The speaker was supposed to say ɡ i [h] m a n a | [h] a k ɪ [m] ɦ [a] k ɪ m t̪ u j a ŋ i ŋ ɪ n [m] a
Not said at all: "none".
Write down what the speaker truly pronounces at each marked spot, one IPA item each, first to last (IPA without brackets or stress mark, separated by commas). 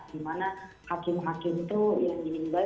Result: none, h, m, a, b